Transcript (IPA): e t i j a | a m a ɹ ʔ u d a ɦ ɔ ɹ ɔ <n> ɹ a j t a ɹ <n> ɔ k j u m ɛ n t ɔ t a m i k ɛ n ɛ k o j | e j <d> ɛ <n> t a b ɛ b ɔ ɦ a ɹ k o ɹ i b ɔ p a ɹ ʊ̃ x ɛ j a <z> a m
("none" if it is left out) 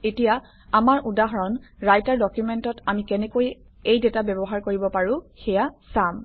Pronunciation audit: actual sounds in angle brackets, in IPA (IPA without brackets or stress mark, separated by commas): n, d, d, none, s